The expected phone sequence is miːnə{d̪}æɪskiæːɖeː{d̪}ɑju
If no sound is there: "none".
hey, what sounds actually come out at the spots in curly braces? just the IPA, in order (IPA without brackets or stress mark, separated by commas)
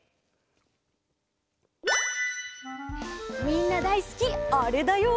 d̪, d̪